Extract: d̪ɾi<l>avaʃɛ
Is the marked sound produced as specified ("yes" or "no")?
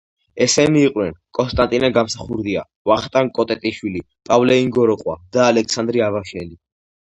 no